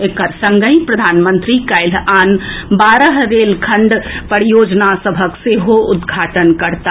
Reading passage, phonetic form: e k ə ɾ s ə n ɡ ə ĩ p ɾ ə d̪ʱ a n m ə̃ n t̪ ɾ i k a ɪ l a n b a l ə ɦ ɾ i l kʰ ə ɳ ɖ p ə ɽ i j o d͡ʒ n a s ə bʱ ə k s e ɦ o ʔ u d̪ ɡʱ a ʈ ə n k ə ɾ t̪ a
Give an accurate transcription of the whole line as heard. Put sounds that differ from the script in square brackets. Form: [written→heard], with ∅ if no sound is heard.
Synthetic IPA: e k ə ɾ s ə [n→ŋ] ɡ ə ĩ p ɾ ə d̪ʱ a n m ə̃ n t̪ ɾ i k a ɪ l a n b a [l→ɾ] ə ɦ ɾ [i→e] l kʰ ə ɳ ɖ p ə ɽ i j o d͡ʒ n a s ə bʱ ə k s e ɦ o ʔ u d̪ ɡʱ a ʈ ə n k ə ɾ t̪ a